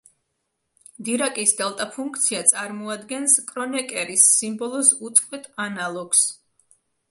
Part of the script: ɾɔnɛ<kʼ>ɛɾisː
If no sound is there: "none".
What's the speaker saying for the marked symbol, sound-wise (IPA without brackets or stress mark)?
kʼ